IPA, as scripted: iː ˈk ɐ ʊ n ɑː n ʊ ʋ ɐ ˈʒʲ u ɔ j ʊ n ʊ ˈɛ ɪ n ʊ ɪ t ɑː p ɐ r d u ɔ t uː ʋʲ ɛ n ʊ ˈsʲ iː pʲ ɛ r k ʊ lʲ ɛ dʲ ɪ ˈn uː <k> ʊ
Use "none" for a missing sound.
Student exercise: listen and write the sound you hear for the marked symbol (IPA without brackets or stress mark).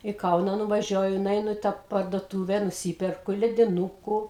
k